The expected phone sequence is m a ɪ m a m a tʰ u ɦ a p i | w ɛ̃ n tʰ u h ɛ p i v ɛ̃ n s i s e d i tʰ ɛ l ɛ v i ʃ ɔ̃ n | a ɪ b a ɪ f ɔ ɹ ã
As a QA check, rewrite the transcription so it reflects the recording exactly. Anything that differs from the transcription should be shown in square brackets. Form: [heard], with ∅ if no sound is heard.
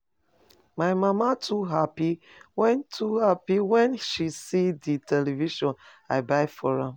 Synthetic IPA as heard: m a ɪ m a m a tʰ u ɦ a p i | w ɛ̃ n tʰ u h [a] p i [w] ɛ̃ n [ʃ] i s [i] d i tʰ ɛ l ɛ v i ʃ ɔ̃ n | a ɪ b a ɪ f ɔ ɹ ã

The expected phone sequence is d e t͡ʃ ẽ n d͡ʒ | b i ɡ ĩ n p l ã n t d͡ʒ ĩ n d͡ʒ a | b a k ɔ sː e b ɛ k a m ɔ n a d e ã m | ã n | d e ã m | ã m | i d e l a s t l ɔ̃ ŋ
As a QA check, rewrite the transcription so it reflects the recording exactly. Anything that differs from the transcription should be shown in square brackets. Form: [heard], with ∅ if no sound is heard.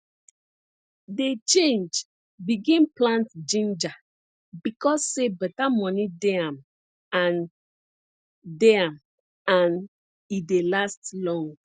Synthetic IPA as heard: d e t͡ʃ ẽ n d͡ʒ | b i ɡ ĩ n p l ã n t d͡ʒ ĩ n d͡ʒ a | b [i] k ɔ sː e b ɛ [t] a m ɔ n [i] d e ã m | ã n | d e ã m | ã [n] | i d e l a s t l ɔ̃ ŋ

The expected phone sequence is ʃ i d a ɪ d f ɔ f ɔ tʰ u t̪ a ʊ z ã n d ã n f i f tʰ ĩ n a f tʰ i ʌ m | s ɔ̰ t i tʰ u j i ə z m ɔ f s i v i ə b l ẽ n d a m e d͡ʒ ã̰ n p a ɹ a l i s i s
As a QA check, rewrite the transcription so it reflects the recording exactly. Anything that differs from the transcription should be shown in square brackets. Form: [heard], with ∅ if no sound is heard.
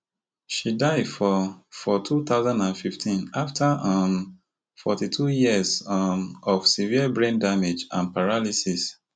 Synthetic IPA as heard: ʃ i d a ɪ d f ɔ f ɔ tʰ u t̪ a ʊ z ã n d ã n f i f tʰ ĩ n a f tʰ [a] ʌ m | [f] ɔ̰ t i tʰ u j i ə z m ɔ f s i v i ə b [ɹ] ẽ n d a m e d͡ʒ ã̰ n p a ɹ a l i s i s

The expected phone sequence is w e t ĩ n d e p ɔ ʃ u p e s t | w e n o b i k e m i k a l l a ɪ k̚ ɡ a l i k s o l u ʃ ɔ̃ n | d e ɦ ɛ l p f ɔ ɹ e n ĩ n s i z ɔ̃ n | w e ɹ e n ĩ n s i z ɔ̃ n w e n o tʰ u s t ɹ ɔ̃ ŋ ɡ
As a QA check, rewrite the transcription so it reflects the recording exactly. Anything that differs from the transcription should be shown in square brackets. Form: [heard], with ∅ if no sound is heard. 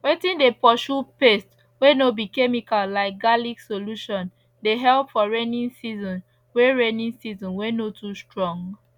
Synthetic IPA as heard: w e t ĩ n d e p ɔ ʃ u p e s t | w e n o b i k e m i k a l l a ɪ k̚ ɡ a l i k s o l u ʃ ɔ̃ n | d e ɦ ɛ l p f ɔ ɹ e n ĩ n s i z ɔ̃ n | w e ɹ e n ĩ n s i z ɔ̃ n w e n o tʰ u s t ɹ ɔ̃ ŋ ɡ

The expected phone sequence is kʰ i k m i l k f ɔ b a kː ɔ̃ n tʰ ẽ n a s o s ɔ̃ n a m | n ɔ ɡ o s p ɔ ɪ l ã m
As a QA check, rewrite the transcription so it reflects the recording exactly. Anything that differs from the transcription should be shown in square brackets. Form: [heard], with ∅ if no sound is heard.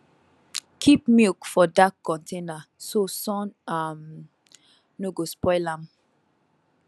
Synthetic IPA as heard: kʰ i [p] m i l k f ɔ [d] a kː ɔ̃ n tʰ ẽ n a s o s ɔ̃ n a m | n [o] ɡ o s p ɔ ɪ l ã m

